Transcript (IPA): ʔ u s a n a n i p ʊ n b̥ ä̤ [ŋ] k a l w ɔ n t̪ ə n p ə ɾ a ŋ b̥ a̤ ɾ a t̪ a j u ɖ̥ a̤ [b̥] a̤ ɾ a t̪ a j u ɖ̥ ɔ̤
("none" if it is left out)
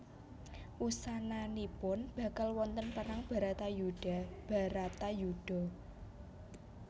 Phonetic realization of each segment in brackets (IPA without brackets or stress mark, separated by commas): none, b̥